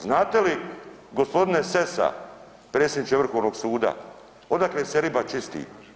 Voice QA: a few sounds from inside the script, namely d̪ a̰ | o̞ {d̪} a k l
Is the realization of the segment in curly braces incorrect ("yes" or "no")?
no